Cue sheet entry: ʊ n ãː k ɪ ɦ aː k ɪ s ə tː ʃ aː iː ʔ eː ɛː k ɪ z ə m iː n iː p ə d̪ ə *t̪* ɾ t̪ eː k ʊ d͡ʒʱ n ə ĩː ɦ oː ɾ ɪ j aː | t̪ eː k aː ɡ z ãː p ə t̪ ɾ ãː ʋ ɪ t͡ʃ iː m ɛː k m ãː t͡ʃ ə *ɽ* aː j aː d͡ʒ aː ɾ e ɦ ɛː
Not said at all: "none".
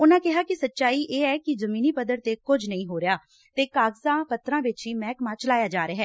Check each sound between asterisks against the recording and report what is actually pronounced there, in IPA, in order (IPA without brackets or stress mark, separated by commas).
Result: none, l